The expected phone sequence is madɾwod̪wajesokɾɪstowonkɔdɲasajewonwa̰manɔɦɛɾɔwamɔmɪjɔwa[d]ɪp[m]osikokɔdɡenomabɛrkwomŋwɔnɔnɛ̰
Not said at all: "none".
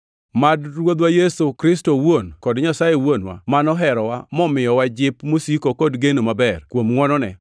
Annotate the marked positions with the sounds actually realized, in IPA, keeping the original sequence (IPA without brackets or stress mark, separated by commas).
d͡ʒ, m